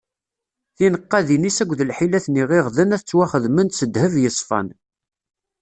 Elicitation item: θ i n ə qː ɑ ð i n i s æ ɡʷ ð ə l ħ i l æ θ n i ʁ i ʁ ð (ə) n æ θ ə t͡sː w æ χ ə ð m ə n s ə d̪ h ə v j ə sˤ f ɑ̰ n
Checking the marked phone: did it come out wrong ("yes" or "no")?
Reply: no